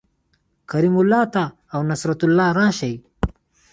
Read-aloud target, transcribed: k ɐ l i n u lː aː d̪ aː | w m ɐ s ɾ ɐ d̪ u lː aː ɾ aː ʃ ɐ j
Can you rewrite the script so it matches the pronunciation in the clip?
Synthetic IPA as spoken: k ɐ ɾ i m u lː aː t̪ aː | w n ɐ s ɾ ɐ t̪ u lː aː ɾ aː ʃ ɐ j